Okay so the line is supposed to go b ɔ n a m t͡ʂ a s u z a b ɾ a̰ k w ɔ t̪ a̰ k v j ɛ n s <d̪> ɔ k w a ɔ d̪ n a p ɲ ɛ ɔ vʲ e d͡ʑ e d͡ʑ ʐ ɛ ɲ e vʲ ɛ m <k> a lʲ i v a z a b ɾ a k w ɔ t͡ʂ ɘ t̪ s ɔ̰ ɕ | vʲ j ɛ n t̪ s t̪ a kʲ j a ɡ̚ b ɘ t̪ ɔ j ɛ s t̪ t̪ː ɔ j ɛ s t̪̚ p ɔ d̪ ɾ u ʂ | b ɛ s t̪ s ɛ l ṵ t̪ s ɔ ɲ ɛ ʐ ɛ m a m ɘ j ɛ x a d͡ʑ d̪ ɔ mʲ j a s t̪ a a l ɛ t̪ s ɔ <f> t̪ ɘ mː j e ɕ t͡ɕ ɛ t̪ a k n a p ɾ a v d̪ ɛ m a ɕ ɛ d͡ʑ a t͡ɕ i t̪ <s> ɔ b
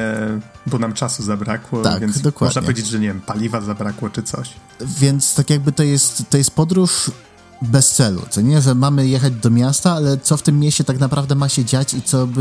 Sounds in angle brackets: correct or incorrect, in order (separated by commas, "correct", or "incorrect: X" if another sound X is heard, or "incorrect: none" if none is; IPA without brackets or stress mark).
correct, incorrect: p, correct, correct